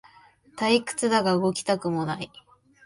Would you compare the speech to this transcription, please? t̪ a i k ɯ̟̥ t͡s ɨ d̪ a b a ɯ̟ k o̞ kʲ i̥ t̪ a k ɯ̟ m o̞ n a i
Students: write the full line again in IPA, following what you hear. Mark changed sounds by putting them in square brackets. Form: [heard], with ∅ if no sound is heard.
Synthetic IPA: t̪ a i k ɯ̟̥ t͡s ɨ d̪ a [ɡ] a ɯ̟ [ɡ] o̞ kʲ i̥ t̪ a k ɯ̟ m o̞ n a i